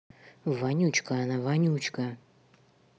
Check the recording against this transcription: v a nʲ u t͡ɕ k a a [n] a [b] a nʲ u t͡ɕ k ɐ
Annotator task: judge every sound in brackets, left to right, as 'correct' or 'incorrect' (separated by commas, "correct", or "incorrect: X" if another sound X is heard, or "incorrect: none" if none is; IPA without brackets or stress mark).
correct, incorrect: v